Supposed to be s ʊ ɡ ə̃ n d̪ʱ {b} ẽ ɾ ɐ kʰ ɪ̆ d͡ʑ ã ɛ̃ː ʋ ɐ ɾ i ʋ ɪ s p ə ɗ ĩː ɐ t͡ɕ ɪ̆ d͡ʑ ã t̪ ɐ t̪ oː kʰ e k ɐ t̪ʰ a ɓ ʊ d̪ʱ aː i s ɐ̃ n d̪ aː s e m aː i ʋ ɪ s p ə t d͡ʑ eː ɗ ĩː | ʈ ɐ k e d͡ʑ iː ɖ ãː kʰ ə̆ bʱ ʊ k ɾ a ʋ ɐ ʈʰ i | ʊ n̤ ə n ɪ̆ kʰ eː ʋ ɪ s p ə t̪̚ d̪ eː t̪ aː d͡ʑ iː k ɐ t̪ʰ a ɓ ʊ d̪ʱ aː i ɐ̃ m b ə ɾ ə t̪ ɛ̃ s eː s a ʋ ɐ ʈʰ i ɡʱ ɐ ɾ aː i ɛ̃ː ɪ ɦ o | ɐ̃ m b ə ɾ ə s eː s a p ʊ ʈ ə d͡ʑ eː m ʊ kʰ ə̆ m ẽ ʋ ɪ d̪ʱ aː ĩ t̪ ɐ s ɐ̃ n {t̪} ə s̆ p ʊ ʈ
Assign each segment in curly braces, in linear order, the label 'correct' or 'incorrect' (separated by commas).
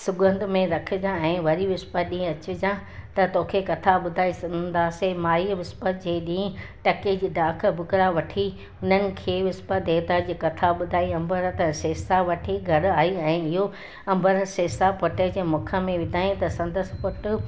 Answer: incorrect, incorrect